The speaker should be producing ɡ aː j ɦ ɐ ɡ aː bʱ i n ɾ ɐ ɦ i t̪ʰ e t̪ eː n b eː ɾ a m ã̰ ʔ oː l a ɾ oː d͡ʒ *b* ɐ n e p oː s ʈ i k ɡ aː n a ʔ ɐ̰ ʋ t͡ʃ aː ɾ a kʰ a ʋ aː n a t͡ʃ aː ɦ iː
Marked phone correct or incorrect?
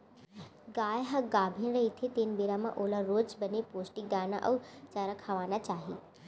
correct